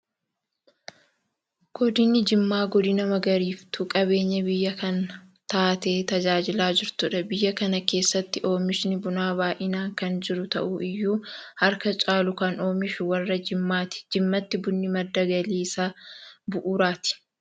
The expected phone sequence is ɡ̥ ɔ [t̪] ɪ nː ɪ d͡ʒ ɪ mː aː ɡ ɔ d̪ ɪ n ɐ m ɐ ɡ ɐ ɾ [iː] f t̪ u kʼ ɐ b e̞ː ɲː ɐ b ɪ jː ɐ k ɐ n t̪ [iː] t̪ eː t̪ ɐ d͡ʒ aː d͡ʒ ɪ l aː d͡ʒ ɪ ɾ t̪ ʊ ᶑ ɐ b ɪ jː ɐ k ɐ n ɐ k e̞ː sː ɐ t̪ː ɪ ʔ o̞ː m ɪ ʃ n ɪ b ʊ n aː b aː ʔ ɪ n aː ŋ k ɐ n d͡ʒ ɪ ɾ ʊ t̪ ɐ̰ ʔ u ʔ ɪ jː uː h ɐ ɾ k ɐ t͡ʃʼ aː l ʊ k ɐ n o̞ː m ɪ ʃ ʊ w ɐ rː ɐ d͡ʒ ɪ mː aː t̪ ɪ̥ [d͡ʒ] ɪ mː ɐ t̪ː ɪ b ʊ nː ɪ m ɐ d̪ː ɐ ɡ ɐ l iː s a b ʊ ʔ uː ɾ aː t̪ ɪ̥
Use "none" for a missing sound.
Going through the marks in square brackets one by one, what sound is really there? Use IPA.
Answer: d̪, iː, aː, d͡ʒ

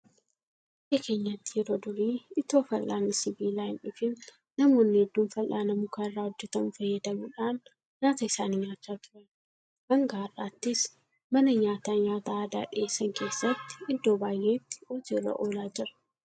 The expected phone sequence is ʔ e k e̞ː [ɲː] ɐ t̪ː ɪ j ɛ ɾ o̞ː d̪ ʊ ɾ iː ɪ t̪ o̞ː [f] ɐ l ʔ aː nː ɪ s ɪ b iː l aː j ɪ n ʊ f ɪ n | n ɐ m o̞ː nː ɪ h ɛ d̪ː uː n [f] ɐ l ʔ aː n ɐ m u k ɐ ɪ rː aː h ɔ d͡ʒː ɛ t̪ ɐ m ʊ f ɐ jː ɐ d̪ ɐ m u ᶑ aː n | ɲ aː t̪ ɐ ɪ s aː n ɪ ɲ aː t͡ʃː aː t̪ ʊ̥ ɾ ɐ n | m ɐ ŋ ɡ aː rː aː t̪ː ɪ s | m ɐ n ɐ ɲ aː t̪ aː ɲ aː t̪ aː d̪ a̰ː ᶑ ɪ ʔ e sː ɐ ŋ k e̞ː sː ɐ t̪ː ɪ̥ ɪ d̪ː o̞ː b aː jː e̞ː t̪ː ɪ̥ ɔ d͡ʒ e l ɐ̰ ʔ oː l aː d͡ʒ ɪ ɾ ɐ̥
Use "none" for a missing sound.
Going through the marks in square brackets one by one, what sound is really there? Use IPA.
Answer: ɲː, f, f

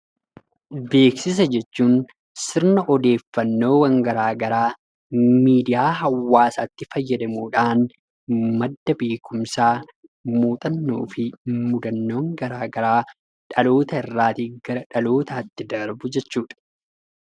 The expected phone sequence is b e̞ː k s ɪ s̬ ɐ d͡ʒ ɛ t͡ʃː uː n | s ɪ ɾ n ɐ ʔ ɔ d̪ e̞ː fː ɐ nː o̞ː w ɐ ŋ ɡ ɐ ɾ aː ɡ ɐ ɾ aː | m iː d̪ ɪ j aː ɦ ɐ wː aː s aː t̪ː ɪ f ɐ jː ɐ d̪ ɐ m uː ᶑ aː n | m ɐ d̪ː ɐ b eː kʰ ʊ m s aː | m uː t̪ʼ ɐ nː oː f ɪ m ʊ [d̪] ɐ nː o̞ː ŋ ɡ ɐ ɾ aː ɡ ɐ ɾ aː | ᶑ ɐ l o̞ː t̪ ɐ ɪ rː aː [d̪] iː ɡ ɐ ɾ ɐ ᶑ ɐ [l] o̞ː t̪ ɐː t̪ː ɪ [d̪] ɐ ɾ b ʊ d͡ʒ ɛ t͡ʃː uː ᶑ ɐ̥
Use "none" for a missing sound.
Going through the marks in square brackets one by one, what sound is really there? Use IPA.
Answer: d̪, t̪, l, d̪

